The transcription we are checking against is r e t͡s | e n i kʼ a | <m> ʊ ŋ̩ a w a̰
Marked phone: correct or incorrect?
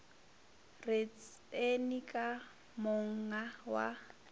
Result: correct